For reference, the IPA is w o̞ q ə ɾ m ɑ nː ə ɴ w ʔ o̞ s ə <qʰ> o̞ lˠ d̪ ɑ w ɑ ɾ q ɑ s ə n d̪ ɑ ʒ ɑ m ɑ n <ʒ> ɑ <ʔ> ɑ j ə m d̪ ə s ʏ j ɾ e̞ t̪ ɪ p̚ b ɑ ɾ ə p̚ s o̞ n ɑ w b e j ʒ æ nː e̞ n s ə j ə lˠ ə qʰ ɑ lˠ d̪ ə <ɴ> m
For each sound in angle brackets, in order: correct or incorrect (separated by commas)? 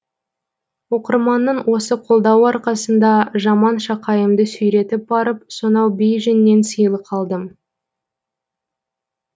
correct, incorrect, incorrect, incorrect